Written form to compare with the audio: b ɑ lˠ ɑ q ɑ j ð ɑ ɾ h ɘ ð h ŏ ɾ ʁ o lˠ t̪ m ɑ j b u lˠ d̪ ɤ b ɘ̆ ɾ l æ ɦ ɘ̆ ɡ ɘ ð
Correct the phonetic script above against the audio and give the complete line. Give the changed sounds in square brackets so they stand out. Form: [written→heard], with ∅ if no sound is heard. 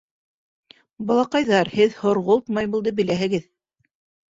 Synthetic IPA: b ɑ lˠ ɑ q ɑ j ð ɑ ɾ h ɘ ð h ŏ ɾ ʁ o lˠ t̪ m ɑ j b u lˠ d̪ ɤ b ɘ̆ [ɾ→∅] l æ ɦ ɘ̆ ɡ ɘ ð